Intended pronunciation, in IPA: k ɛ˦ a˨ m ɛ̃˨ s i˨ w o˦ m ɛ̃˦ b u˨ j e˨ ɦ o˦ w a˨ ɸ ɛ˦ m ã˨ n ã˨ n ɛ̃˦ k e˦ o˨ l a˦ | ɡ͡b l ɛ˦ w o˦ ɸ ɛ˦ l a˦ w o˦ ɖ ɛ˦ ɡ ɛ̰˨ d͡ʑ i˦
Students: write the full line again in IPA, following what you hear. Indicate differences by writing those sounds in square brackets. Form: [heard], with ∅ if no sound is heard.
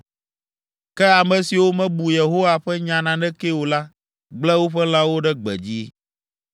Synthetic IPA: k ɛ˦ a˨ m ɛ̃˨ s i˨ w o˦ m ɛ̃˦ b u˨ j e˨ ɦ o˦ w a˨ ɸ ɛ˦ [ɲ] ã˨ n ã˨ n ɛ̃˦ k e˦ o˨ l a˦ | ɡ͡b l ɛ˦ w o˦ ɸ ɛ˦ l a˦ w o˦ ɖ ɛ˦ [ɡ͡b] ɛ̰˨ d͡ʑ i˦

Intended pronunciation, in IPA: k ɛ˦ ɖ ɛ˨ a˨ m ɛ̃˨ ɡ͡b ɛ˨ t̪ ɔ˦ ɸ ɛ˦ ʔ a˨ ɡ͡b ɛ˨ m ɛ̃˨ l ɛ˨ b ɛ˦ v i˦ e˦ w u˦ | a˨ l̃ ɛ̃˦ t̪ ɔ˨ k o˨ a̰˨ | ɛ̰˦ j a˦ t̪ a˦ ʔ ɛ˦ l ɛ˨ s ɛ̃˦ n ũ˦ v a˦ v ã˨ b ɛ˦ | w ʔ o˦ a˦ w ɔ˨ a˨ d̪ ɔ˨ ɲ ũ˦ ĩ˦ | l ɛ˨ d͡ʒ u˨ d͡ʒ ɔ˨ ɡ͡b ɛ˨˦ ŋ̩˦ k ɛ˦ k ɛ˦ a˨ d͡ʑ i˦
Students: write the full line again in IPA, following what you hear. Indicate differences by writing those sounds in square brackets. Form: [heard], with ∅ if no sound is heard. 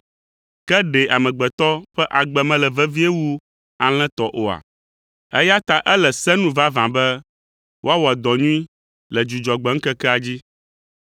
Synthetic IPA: k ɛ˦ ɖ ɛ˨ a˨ m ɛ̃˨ ɡ͡b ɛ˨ t̪ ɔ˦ ɸ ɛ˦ ʔ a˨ ɡ͡b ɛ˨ m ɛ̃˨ l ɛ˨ [v] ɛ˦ v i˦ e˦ w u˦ | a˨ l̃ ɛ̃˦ t̪ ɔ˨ [ʔ] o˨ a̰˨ | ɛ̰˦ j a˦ t̪ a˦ ʔ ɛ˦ l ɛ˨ s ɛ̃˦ n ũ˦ v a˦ v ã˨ b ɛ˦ | w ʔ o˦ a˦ w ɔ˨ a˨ d̪ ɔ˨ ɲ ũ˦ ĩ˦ | l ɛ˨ d͡ʒ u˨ d͡ʒ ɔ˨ ɡ͡b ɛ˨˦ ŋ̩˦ k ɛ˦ k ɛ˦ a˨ d͡ʑ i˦

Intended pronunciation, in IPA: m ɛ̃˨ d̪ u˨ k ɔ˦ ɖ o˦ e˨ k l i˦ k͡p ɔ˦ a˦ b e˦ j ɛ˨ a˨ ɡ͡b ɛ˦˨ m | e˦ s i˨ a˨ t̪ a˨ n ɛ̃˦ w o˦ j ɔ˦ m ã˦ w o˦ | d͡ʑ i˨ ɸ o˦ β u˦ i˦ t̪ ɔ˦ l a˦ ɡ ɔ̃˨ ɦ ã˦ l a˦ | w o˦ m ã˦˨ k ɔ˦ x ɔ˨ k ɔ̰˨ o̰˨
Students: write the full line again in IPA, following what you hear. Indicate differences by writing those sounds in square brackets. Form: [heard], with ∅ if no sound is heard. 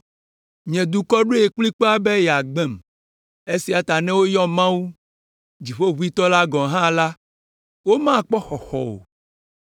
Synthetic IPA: [ɲ] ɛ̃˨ d̪ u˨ k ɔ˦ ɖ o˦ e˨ k l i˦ k͡p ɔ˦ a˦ b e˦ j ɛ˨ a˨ ɡ͡b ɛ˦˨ m | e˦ s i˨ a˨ t̪ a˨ n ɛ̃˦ w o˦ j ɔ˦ m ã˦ w [u˦] | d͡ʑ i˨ ɸ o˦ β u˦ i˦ t̪ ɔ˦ l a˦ ɡ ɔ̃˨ ɦ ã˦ l a˦ | w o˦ m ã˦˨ [k͡p] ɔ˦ x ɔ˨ [x] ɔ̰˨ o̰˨

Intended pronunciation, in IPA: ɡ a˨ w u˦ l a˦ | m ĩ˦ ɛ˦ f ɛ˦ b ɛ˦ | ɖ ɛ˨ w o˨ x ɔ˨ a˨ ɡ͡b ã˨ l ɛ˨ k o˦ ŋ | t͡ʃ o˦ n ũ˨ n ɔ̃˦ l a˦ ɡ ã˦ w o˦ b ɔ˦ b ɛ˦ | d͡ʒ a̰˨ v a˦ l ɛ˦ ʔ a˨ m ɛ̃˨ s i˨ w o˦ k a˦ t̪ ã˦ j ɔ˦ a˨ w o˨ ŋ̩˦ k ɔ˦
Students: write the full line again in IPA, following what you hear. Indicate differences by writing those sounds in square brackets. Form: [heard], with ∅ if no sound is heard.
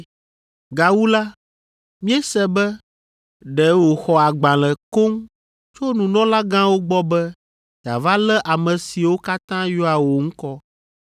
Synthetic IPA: ɡ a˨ w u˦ l a˦ | m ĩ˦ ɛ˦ [s] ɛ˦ b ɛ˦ | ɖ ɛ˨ w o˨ x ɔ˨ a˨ ɡ͡b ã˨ l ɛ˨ k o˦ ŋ | t͡ʃ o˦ n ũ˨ n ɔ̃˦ l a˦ ɡ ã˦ w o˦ [ɡ͡b] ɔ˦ b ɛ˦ | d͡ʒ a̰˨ v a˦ l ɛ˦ ʔ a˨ m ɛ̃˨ s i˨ w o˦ k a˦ t̪ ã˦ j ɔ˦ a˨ w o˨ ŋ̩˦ k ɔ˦

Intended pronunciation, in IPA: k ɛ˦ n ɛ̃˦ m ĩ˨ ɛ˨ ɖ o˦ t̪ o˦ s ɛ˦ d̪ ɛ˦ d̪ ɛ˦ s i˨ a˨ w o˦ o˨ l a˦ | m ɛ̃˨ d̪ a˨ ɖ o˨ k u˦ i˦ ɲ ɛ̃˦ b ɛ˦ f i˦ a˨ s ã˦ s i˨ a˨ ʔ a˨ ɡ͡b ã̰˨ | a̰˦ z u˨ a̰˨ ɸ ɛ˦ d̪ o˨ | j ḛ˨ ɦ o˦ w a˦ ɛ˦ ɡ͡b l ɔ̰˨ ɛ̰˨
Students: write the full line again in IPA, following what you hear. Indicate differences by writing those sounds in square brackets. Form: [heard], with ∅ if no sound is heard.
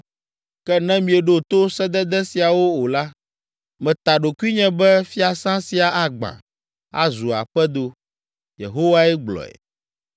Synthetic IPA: k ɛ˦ n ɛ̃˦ m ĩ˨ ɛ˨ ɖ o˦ t̪ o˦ s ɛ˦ d̪ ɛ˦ d̪ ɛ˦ s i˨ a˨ w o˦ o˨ l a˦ | m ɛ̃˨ [t̪] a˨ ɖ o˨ k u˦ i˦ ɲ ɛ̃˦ b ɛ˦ f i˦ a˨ s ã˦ s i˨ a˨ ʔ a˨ ɡ͡b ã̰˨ | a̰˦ z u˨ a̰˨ ɸ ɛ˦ d̪ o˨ | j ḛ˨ ɦ o˦ w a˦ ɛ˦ ɡ͡b l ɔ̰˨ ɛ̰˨

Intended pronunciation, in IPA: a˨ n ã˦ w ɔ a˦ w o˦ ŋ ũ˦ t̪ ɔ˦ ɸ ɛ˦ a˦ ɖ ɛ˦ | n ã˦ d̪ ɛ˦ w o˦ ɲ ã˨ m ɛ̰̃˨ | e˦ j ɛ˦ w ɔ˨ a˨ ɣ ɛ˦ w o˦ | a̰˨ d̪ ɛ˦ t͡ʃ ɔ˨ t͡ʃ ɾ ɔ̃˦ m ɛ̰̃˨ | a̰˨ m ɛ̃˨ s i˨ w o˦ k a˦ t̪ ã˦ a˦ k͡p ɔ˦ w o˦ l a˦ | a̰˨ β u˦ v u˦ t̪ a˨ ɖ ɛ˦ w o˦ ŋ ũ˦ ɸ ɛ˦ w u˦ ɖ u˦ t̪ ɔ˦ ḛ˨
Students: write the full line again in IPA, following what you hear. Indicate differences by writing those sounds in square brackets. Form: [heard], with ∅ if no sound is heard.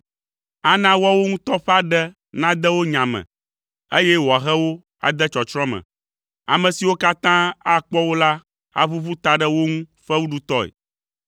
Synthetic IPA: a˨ n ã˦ w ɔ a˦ w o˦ ŋ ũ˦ t̪ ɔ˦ ɸ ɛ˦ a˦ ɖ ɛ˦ | n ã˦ d̪ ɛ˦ w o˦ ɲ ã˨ m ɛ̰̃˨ | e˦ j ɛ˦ w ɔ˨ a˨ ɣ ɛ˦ w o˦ | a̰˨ d̪ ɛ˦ t͡ʃ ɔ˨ t͡ʃ ɾ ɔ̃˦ m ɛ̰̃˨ | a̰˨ m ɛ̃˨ s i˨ w o˦ k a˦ t̪ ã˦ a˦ k͡p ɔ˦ w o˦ l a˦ | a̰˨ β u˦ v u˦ t̪ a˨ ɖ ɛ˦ w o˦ ŋ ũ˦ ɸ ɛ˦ w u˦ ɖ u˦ t̪ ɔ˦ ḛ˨

